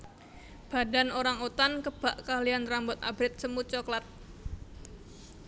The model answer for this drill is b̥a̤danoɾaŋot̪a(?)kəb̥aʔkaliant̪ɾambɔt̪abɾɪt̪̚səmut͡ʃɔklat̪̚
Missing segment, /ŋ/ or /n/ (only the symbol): n